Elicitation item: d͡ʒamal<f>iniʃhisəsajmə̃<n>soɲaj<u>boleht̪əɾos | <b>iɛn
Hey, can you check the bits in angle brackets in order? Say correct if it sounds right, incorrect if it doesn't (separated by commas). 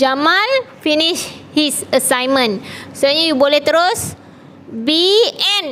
correct, correct, correct, correct